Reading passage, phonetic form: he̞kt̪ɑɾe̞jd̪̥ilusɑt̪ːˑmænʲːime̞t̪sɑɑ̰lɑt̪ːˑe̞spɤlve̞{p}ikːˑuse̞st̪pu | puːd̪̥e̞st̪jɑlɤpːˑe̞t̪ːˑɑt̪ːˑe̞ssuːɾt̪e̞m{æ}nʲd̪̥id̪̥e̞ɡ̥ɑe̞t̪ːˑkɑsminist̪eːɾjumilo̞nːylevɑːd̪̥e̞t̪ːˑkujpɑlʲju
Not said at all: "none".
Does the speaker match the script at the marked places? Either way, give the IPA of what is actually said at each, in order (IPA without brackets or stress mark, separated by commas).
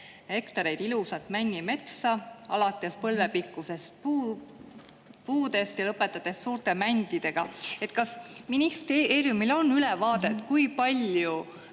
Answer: p, æ